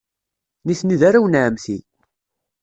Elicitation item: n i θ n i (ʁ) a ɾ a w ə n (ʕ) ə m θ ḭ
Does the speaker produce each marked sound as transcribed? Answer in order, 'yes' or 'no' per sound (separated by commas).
no, yes